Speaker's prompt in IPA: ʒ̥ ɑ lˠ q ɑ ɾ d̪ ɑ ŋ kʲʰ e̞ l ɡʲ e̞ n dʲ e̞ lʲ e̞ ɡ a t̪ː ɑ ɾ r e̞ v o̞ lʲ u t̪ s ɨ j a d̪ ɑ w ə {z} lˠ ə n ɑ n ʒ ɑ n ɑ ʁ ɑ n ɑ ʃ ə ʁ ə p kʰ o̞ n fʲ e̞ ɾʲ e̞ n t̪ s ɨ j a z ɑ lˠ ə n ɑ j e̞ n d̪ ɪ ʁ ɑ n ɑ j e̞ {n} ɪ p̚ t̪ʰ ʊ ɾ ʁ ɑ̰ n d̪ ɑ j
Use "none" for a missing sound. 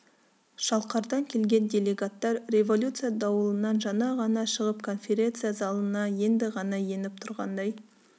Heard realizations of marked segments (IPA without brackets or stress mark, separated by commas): none, n